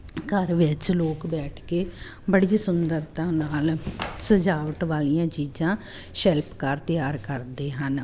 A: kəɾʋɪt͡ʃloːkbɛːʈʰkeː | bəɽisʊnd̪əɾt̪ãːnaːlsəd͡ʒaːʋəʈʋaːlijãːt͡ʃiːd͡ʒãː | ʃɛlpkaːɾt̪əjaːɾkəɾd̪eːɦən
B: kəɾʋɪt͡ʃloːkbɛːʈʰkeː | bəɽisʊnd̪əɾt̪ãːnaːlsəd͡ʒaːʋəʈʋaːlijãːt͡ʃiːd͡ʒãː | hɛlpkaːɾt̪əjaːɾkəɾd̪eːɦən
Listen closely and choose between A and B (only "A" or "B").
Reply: A